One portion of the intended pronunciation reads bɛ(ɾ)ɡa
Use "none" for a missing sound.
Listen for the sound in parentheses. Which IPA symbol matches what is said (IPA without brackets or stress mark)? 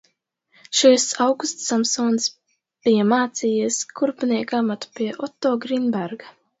ɾ